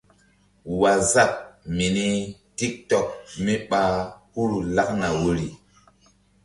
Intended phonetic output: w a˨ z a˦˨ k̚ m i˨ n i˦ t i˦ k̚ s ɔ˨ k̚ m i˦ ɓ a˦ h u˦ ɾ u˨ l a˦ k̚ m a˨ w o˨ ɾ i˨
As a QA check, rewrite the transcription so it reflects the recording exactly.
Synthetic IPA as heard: w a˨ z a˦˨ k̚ m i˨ n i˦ t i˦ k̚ t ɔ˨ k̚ m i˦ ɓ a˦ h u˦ ɾ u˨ l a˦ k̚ n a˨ w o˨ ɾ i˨